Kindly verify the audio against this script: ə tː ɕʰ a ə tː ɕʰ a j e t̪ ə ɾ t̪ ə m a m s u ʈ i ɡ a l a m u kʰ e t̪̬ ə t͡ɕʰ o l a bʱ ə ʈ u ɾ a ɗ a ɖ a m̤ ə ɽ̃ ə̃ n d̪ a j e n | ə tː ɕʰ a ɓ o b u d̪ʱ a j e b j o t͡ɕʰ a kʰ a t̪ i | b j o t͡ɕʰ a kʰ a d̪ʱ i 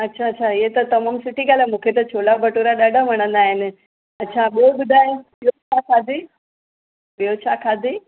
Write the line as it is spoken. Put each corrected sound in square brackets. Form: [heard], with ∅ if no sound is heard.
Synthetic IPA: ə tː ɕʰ a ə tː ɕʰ a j e t̪ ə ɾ t̪ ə m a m s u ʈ i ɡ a l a m u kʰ e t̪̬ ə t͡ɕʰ o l a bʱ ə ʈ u ɾ a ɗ a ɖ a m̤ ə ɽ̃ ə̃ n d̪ a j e n | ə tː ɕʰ a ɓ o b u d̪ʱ a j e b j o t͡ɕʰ a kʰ a [d̪] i | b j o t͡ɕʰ a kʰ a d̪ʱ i

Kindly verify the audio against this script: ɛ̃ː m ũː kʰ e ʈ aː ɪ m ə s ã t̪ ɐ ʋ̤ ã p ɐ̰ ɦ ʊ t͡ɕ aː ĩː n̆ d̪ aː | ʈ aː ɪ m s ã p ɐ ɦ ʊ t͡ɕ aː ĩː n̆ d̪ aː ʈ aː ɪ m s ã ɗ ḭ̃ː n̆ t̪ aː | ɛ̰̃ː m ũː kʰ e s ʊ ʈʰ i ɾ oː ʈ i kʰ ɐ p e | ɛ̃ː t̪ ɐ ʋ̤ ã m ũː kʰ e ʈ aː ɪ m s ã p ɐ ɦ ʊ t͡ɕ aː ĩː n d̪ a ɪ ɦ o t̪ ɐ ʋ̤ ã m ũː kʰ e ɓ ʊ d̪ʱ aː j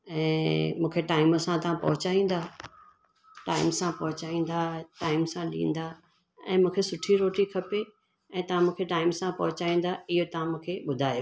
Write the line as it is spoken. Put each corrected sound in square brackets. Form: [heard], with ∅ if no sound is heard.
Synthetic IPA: ɛ̃ː m ũː kʰ e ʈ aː ɪ m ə s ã t̪ ɐ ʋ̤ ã p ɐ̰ ɦ ʊ t͡ɕ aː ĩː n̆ d̪ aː | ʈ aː ɪ m s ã p ɐ ɦ ʊ t͡ɕ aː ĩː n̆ d̪ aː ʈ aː ɪ m s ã ɗ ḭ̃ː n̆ [d̪] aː | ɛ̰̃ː m ũː kʰ e s ʊ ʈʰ i ɾ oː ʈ i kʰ ɐ p e | ɛ̃ː t̪ ɐ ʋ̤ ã m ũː kʰ e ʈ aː ɪ m s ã p ɐ ɦ ʊ t͡ɕ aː ĩː n d̪ a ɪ ɦ o t̪ ɐ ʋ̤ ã m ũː kʰ e ɓ ʊ d̪ʱ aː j

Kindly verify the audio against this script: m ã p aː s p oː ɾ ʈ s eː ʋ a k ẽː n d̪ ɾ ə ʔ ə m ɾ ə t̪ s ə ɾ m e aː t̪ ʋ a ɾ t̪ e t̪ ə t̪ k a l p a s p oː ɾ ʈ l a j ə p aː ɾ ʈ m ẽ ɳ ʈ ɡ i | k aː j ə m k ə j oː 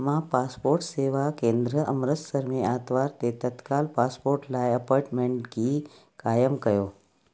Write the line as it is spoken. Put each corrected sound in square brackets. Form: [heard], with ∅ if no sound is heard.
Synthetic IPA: m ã p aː s p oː ɾ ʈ s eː ʋ a k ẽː n d̪ ɾ ə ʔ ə m ɾ ə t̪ s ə ɾ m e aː t̪ ʋ a ɾ t̪ e t̪ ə t̪ k a l p a s p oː ɾ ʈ l a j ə p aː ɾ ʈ m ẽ ɳ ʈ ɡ i | k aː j ə m k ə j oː

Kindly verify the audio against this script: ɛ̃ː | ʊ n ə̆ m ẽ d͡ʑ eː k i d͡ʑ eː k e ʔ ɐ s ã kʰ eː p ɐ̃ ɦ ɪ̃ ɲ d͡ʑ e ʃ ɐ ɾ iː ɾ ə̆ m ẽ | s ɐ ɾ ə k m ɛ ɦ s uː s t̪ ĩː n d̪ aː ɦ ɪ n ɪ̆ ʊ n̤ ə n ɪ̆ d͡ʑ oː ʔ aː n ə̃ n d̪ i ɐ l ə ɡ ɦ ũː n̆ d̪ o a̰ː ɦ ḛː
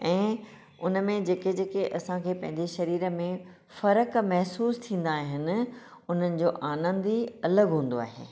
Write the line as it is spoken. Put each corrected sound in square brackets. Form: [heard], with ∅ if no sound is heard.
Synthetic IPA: ɛ̃ː | ʊ n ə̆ m ẽ d͡ʑ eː k [e] d͡ʑ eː k e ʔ ɐ s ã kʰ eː p ɐ̃ ɦ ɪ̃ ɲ d͡ʑ e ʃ ɐ ɾ iː ɾ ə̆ m ẽ | [f] ɐ ɾ ə k m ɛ ɦ s uː s [t̪ʰ] ĩː n d̪ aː ɦ ɪ n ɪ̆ ʊ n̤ ə n ɪ̆ d͡ʑ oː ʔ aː n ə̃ n d̪ i ɐ l ə ɡ ɦ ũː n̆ d̪ o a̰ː ɦ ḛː

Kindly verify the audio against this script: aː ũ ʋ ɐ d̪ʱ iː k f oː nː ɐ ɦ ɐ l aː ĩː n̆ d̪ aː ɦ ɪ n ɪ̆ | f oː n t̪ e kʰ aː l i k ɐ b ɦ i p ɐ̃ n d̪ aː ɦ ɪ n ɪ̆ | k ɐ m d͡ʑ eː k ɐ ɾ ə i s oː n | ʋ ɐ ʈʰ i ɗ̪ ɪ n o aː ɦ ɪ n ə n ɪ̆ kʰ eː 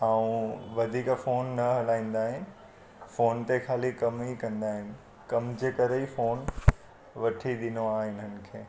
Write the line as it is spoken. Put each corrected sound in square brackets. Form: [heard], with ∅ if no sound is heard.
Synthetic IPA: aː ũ ʋ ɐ d̪ʱ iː k f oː nː ɐ ɦ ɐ l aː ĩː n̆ d̪ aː ɦ ɪ n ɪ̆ | f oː n t̪ e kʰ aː l i k ɐ [m] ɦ i [k] ɐ̃ n d̪ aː ɦ ɪ n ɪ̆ | k ɐ m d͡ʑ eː k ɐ ɾ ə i [f] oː n | ʋ ɐ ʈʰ i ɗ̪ ɪ n o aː ɦ ɪ n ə n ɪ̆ kʰ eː

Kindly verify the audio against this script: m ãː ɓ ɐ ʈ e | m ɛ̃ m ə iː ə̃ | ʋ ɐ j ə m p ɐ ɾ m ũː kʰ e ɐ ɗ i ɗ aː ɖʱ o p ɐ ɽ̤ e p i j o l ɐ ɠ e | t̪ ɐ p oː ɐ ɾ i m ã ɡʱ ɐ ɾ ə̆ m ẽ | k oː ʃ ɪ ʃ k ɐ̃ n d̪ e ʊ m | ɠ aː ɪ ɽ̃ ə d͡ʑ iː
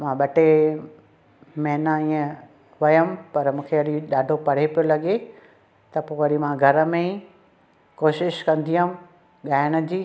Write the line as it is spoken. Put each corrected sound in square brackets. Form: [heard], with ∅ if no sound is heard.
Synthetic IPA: m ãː ɓ ɐ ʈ e | m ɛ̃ [n] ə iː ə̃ | ʋ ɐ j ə m p ɐ ɾ m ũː kʰ e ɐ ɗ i ɗ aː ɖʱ o p ɐ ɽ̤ e p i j o l ɐ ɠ e | t̪ ɐ p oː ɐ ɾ i m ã ɡʱ ɐ ɾ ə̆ m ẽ | k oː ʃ ɪ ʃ k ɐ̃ n d̪ [i] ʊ m | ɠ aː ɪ ɽ̃ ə d͡ʑ iː

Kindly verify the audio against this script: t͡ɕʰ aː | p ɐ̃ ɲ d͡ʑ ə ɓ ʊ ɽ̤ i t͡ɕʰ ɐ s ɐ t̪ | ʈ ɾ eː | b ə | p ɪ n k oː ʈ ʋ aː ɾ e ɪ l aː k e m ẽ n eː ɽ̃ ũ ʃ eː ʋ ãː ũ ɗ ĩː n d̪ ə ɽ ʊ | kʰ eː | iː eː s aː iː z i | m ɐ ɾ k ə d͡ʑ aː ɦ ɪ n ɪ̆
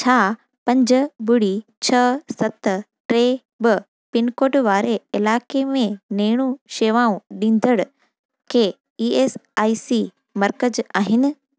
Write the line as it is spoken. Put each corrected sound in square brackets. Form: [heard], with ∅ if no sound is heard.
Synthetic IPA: t͡ɕʰ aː | p ɐ̃ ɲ d͡ʑ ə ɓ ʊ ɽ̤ i t͡ɕʰ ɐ s ɐ t̪ | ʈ ɾ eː | b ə | p ɪ n k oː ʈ ʋ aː ɾ e ɪ l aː k e m ẽ n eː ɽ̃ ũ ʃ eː ʋ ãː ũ ɗ ĩː n d̪ ə ɽ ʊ | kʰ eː | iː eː s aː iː [s] i | m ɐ ɾ k ə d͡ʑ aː ɦ ɪ n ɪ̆

